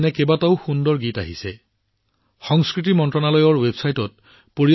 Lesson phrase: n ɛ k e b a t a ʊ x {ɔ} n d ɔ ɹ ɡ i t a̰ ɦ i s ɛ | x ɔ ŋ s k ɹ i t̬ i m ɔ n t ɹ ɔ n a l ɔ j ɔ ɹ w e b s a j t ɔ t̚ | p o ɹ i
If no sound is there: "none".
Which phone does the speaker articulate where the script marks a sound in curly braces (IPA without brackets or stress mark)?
u